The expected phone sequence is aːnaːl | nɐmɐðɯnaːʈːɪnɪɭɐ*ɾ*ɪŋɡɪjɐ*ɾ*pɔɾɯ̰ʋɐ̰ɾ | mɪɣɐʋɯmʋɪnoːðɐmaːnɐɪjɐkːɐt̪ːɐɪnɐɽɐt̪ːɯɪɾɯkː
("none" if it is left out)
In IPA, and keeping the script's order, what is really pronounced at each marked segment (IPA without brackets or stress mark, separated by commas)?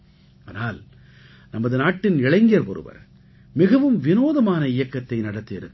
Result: none, ɾ